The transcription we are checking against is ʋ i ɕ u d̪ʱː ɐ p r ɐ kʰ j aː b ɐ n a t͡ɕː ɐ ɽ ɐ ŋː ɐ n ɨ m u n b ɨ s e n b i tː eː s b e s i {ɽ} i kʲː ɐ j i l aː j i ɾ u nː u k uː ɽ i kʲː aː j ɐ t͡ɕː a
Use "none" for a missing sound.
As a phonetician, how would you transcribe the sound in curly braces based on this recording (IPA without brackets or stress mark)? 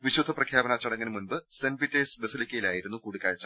l